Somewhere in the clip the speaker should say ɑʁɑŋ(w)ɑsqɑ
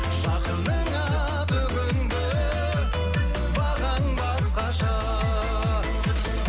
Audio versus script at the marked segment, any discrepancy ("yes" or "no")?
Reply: yes